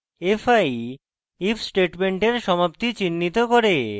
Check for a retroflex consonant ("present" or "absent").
present